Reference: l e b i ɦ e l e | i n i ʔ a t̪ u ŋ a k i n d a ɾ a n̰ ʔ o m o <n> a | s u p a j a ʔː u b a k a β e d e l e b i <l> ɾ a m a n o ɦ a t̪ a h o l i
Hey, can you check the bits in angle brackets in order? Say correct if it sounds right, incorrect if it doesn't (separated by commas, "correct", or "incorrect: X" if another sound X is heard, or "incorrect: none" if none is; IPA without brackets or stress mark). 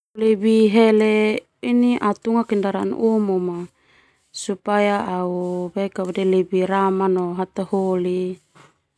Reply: incorrect: m, incorrect: none